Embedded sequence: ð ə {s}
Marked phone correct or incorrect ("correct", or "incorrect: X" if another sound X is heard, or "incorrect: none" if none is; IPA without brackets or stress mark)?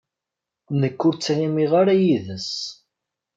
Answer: correct